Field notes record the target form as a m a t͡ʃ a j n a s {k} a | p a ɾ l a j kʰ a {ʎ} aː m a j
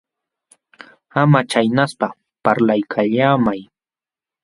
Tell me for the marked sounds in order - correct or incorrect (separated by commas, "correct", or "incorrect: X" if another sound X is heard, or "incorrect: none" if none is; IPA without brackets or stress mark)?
incorrect: p, correct